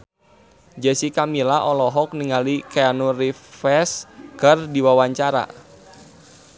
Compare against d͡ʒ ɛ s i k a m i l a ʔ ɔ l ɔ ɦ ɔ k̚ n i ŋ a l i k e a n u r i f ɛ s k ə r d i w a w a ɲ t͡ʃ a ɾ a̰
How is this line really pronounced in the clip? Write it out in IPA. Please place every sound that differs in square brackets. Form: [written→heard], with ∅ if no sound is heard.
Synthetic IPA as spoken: d͡ʒ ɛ s i k a m i l a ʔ ɔ l ɔ ɦ ɔ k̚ n i ŋ a l i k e a n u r i f ɛ s k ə r d i w a w a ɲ t͡ʃ a ɾ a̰